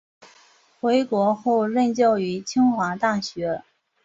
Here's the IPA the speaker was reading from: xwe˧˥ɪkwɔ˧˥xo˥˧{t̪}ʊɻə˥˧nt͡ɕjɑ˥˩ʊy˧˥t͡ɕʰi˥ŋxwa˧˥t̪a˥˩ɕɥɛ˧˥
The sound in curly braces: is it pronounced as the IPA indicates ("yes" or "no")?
no